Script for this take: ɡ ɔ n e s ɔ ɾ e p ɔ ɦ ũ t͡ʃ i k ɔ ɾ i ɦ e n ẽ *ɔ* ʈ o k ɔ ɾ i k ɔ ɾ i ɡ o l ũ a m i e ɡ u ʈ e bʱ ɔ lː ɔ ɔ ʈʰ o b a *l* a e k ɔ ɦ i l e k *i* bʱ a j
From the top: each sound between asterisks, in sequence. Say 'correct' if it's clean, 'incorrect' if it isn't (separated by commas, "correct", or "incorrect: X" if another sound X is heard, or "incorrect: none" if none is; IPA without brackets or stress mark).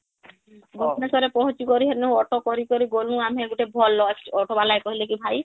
correct, correct, correct